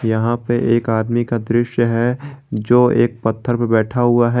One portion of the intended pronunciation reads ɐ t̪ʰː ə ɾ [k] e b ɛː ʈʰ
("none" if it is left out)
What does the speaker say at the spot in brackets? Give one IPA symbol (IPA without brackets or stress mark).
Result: p